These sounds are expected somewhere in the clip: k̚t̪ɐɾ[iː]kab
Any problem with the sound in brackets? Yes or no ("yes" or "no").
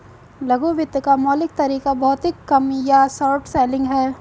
no